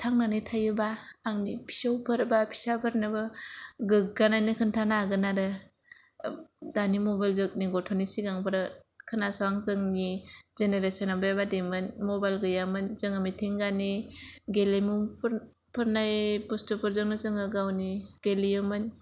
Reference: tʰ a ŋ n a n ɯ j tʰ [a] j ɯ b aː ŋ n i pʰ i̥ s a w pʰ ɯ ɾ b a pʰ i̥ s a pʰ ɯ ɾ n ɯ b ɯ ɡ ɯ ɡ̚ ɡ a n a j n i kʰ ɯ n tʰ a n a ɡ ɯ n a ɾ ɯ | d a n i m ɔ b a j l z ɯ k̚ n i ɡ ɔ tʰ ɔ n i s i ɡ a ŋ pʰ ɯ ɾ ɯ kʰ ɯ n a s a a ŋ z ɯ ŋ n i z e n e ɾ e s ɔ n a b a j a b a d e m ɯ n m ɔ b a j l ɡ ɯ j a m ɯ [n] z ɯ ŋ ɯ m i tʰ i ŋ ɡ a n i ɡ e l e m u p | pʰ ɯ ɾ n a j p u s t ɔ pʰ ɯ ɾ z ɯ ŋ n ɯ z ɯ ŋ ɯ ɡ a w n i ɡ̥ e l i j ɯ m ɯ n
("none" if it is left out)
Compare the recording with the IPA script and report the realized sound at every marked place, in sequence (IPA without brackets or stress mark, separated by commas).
a, n